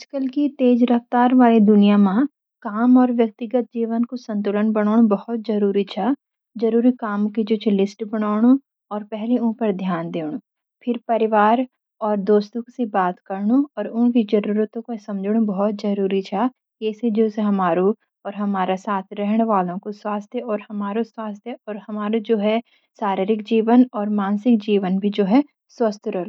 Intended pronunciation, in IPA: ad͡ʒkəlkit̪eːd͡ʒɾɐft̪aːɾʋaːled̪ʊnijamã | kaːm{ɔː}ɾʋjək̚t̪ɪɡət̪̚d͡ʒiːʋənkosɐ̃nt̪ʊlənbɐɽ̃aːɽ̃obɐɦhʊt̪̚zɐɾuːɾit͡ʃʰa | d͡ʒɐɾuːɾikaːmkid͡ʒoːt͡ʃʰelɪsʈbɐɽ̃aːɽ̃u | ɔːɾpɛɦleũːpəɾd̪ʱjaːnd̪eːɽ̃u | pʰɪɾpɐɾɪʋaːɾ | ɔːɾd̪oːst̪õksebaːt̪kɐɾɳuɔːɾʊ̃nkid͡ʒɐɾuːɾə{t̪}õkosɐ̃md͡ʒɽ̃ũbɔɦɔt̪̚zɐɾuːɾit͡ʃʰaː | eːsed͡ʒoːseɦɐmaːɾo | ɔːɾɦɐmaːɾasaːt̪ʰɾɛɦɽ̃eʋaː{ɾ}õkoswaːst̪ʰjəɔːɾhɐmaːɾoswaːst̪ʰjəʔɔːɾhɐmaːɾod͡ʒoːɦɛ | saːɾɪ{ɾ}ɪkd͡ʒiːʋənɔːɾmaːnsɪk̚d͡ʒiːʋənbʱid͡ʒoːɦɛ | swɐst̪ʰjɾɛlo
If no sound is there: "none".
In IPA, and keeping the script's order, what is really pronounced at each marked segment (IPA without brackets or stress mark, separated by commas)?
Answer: ɔː, t̪, l, ɾ